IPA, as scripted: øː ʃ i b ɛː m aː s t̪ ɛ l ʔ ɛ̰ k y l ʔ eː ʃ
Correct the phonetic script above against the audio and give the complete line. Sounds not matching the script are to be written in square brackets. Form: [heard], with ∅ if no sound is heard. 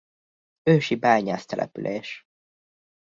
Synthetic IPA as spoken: øː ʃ i b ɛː [ɲ] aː s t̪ ɛ l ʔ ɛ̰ [p] y l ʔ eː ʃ